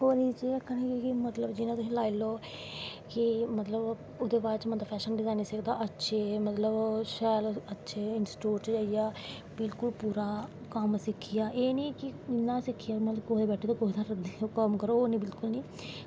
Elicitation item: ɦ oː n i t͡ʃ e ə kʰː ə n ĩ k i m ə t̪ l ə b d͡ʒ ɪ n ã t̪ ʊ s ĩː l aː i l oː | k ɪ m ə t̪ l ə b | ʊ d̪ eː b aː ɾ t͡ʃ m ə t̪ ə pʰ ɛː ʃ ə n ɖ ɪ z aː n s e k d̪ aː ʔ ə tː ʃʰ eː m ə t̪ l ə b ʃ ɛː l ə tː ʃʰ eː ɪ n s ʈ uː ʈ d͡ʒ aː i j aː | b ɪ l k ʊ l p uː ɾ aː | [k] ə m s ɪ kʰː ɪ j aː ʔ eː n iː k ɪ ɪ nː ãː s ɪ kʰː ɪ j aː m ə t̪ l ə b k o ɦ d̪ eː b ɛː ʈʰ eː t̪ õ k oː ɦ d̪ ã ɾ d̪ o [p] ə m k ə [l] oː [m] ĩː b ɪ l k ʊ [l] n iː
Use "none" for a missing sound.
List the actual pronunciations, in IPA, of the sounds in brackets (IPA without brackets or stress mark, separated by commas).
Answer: k, k, ɾ, n, l